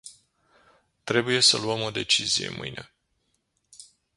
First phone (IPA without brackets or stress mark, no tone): t̪